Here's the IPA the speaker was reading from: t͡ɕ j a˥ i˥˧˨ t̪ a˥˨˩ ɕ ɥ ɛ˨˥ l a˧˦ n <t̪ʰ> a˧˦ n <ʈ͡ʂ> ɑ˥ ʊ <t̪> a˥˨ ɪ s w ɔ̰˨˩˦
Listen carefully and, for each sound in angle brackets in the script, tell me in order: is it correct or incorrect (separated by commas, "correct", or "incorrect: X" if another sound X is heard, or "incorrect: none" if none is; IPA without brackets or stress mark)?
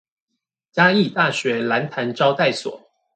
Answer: correct, correct, correct